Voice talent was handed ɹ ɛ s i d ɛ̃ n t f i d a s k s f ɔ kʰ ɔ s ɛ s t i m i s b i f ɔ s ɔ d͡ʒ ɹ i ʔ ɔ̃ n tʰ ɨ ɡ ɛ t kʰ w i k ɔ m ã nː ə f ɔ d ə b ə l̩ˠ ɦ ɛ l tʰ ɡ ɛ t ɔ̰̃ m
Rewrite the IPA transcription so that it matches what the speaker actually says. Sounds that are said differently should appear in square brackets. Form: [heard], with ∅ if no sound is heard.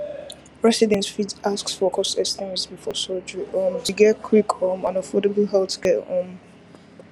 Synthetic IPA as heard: ɹ ɛ s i d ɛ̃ n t f i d a s k s f ɔ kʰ ɔ s ɛ s t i m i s b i f ɔ s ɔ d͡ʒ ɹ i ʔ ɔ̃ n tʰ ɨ ɡ ɛ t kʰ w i k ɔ m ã [n] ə f ɔ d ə b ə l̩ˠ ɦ ɛ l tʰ ɡ ɛ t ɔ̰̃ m